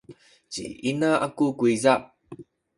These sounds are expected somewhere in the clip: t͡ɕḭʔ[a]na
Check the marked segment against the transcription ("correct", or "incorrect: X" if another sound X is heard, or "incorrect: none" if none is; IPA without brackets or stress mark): incorrect: i